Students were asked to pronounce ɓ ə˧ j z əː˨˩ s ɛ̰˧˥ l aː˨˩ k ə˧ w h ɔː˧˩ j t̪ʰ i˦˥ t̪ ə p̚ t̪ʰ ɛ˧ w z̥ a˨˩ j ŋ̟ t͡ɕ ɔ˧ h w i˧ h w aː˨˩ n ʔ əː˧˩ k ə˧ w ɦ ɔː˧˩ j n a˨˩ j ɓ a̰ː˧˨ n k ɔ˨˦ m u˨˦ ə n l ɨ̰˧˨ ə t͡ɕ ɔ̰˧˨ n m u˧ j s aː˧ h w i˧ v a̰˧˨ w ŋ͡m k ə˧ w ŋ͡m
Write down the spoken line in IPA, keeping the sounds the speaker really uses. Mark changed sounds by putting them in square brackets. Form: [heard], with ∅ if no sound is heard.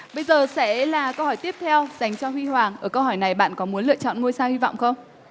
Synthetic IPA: ɓ ə˧ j z əː˨˩ s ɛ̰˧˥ l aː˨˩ k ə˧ w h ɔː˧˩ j [t̪] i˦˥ [∅] ə p̚ t̪ʰ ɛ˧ w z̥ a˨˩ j ŋ̟ t͡ɕ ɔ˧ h w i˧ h w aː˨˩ [ŋ] ʔ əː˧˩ k ə˧ w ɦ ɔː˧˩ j n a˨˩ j ɓ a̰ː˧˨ n k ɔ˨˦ m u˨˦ ə n l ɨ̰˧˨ ə t͡ɕ ɔ̰˧˨ n [ŋ] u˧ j s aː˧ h w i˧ v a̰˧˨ w ŋ͡m [x] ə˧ w ŋ͡m

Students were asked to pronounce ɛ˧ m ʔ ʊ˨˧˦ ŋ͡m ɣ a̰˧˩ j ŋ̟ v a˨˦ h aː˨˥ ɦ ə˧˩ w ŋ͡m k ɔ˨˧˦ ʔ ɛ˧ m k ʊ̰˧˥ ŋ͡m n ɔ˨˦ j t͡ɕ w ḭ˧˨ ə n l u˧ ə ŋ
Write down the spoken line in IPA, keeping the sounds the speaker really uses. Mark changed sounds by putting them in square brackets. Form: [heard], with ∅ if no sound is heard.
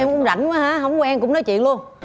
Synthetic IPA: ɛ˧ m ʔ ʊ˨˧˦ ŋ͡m [z] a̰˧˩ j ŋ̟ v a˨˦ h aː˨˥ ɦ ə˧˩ w ŋ͡m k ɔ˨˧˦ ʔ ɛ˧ m k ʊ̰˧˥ ŋ͡m n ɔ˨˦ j t͡ɕ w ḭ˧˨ ə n l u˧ ə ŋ

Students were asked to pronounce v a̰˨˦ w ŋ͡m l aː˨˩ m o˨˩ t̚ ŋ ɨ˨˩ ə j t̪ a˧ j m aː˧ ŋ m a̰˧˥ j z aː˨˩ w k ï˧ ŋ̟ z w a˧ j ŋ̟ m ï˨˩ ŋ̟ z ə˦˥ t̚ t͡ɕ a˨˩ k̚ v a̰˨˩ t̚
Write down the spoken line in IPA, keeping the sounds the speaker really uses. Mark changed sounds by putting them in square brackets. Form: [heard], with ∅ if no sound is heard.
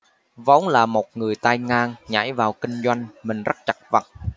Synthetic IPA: v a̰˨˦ w ŋ͡m l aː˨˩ m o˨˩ t̚ ŋ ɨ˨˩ ə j t̪ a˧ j [ŋ] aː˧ ŋ [ɲ] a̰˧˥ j [v] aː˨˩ w k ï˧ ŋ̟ z w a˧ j ŋ̟ m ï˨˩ ŋ̟ z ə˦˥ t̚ t͡ɕ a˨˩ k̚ v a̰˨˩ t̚

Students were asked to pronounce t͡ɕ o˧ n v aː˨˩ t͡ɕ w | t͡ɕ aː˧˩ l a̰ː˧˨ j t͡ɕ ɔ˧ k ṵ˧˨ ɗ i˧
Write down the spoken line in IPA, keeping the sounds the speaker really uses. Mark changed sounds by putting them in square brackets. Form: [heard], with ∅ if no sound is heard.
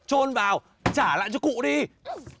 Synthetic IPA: t͡ɕ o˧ n v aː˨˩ [∅] w | t͡ɕ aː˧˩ l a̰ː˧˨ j t͡ɕ ɔ˧ k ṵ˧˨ ɗ i˧

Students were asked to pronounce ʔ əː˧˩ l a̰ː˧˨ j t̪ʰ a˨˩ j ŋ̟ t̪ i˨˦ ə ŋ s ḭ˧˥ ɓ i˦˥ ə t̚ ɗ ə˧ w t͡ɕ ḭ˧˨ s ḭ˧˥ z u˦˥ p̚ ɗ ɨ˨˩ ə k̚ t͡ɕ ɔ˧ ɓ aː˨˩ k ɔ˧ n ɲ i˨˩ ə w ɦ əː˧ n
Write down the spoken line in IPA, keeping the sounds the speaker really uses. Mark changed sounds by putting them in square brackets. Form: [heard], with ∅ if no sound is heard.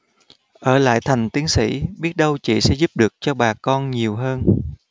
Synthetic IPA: ʔ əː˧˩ l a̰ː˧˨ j t̪ʰ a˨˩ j ŋ̟ t̪ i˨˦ ə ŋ s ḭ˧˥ ɓ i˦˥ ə t̚ ɗ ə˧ w t͡ɕ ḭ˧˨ s [ɛ̰˧˥] z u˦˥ p̚ ɗ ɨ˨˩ ə k̚ t͡ɕ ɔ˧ ɓ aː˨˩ k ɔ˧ n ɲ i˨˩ ə w ɦ əː˧ n

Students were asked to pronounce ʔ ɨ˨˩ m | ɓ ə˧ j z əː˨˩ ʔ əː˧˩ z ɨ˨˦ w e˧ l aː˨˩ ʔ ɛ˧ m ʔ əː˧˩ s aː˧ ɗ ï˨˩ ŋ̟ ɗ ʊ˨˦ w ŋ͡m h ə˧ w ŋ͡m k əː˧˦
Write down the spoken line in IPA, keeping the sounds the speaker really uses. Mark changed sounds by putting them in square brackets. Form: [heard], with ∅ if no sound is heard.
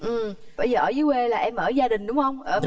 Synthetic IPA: ʔ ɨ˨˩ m | ɓ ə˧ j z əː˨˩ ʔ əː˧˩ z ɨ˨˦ w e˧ l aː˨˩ ʔ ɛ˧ m ʔ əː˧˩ [z] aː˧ ɗ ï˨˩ ŋ̟ ɗ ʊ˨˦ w ŋ͡m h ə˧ w ŋ͡m [ʔ] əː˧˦

